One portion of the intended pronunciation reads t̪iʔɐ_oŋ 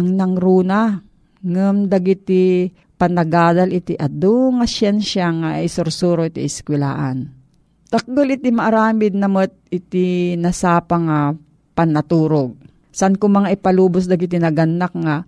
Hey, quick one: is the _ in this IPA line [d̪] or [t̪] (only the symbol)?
d̪